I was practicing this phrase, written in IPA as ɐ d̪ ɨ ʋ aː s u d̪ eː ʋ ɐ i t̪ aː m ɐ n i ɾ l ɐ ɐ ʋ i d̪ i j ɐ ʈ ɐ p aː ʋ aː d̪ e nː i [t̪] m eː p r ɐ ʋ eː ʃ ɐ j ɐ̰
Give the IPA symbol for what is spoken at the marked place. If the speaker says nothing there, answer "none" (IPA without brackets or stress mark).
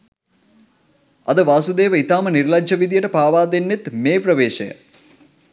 t̪